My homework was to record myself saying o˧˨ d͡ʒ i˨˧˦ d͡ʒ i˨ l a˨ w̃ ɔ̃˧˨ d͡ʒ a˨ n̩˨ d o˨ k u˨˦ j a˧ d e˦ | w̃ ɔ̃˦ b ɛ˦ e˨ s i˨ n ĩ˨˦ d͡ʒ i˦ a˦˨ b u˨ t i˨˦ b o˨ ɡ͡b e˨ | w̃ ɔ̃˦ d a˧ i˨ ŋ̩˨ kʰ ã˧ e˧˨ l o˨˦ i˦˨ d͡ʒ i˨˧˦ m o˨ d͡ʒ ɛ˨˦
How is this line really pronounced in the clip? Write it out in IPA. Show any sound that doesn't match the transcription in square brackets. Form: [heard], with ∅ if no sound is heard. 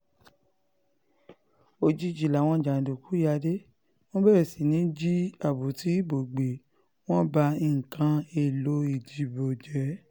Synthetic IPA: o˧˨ d͡ʒ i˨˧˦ d͡ʒ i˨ l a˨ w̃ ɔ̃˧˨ d͡ʒ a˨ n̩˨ d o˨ k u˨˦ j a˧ d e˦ | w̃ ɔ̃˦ b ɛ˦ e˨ s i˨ n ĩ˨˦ d͡ʒ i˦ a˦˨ b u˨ t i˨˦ b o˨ ɡ͡b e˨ | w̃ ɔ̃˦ [b] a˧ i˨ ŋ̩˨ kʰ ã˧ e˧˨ l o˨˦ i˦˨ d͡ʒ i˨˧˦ [b] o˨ d͡ʒ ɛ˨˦